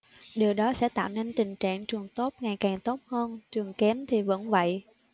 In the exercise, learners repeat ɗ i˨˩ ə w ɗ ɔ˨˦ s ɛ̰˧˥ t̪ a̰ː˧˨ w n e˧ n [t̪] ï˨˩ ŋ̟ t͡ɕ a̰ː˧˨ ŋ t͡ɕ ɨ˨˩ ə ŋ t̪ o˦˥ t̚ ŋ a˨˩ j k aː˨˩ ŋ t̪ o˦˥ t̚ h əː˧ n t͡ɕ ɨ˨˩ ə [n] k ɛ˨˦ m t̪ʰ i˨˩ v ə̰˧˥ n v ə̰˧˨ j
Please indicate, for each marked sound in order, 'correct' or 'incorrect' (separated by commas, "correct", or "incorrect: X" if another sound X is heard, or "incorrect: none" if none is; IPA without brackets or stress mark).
correct, incorrect: ŋ